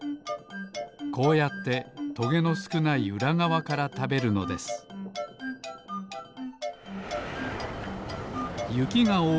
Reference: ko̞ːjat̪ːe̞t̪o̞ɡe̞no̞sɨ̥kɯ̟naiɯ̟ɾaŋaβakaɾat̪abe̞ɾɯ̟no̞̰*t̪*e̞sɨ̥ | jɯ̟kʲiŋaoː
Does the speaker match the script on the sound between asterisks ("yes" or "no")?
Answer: no